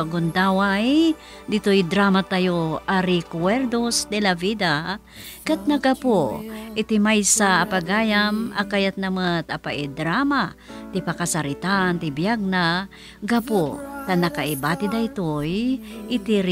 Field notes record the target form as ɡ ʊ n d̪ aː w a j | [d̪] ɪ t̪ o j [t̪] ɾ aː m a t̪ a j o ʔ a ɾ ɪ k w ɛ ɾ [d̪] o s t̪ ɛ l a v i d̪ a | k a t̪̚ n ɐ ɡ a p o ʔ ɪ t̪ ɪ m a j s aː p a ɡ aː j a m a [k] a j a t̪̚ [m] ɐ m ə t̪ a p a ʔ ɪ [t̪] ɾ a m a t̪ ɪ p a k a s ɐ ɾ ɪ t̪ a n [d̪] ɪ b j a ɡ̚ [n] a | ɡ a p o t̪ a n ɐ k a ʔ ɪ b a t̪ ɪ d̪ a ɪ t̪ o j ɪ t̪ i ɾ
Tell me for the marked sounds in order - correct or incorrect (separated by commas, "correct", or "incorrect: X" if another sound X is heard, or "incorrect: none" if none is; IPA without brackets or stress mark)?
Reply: correct, incorrect: d̪, correct, correct, incorrect: n, incorrect: d̪, incorrect: t̪, correct